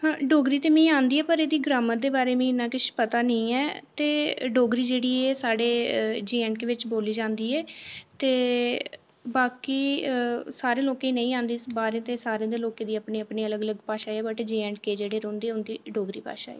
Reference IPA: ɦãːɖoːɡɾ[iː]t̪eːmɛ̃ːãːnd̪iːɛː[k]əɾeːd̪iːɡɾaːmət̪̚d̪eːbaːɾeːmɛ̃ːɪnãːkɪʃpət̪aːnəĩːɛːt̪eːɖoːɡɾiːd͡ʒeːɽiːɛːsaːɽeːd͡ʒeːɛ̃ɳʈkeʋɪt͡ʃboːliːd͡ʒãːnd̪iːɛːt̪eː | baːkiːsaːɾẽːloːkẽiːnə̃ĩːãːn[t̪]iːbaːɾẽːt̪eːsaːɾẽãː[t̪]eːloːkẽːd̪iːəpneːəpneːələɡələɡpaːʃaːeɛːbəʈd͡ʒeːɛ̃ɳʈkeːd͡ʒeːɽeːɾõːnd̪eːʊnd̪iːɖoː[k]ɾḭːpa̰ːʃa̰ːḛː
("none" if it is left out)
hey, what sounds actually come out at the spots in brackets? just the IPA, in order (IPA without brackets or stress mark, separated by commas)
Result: iː, p, d̪, d̪, ɡ